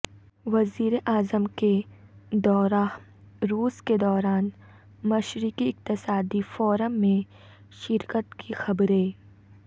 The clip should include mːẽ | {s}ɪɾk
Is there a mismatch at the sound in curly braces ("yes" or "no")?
yes